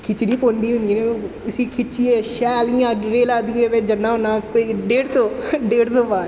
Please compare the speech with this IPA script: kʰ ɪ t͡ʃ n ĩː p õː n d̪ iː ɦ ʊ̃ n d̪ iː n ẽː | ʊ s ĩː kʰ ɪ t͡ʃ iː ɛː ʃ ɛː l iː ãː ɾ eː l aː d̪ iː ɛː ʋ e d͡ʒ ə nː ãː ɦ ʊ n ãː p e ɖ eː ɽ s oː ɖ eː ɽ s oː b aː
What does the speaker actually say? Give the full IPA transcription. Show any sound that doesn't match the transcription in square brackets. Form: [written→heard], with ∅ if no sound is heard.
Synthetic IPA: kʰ ɪ t͡ʃ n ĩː p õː n d̪ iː ɦ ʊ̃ n d̪ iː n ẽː | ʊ s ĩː kʰ ɪ t͡ʃ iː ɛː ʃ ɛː l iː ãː ɾ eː l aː d̪ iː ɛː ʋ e d͡ʒ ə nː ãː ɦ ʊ n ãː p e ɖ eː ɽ s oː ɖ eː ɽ s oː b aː